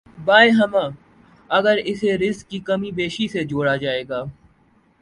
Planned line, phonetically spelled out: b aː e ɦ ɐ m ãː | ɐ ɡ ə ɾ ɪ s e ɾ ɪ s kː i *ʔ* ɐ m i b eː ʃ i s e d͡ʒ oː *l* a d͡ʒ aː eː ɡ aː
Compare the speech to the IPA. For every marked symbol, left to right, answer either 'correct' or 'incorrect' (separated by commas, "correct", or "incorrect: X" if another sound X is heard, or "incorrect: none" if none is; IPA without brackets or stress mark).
incorrect: k, incorrect: ɽ